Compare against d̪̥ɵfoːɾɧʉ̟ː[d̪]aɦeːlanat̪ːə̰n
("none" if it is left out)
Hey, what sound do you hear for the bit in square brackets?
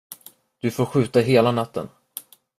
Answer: t̪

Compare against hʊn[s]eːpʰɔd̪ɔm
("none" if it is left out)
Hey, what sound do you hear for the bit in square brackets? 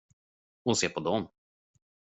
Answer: s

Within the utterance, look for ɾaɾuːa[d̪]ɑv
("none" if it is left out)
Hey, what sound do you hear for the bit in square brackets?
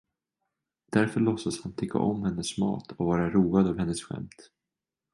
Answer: d̪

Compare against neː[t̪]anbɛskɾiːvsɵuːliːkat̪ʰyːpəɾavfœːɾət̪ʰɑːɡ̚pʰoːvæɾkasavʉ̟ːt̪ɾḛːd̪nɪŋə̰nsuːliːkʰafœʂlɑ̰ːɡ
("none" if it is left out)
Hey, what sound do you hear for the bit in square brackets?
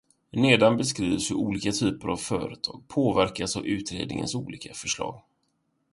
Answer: d̪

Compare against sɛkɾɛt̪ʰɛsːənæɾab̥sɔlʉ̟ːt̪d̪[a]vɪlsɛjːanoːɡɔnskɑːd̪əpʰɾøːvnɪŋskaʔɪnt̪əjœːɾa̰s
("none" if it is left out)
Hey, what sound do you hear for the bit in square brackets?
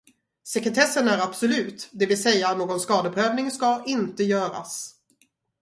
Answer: ɛ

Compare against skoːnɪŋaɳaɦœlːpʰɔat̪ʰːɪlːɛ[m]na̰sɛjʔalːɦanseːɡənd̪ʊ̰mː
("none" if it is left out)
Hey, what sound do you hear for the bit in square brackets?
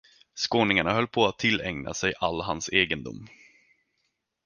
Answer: ŋ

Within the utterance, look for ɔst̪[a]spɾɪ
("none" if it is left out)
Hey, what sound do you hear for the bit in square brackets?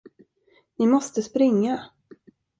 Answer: ə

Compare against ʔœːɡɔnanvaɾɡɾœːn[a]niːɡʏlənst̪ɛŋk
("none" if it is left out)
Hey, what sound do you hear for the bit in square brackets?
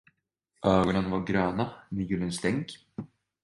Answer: a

